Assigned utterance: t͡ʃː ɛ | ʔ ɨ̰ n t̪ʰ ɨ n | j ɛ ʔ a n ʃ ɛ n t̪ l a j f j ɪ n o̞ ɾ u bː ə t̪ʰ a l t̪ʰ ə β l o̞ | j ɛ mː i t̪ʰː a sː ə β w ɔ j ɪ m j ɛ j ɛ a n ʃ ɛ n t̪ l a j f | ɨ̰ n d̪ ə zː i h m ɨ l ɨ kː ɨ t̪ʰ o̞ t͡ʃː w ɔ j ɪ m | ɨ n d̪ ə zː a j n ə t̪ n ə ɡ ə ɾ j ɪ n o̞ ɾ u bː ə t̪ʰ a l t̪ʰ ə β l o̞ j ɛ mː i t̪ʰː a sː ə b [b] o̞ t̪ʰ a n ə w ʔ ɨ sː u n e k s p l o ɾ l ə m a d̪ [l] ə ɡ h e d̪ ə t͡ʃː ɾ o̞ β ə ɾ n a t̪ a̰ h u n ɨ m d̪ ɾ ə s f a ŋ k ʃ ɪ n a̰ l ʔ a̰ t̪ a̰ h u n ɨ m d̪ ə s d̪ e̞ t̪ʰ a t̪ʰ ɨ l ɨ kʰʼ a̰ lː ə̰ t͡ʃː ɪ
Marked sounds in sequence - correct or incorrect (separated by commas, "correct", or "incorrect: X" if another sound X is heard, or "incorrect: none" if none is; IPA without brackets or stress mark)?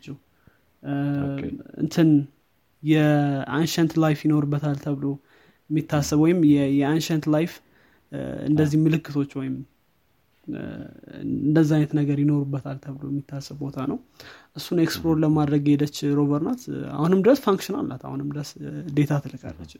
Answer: correct, incorrect: ɾ